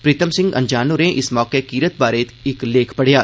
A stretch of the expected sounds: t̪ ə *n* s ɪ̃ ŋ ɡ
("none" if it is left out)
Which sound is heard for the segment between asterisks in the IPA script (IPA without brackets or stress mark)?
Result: m